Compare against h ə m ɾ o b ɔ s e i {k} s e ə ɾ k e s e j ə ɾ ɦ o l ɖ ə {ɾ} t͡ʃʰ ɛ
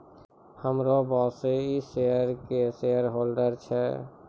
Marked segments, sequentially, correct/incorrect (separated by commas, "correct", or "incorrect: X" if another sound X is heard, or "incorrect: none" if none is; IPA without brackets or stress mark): incorrect: none, correct